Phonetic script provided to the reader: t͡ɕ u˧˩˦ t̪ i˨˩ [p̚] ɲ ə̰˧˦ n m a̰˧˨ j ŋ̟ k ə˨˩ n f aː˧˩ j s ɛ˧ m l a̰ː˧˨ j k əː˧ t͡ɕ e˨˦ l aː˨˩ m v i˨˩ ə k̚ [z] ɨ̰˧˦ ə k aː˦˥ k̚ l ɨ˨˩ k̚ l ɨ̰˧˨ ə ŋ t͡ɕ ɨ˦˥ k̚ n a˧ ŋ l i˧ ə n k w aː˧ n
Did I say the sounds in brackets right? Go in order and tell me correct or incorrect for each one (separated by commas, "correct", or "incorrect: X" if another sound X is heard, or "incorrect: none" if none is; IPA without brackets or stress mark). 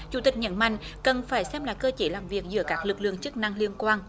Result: incorrect: k̚, correct